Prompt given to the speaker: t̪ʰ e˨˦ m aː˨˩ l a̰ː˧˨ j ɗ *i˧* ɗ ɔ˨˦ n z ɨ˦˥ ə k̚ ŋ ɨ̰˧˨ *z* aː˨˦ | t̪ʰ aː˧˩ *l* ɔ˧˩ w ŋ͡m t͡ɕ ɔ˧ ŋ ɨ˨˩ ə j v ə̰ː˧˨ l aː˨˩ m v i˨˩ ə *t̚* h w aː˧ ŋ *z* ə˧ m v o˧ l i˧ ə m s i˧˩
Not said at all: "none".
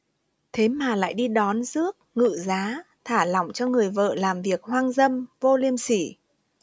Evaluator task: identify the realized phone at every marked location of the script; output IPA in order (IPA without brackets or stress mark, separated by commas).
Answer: i˧, z, l, k̚, z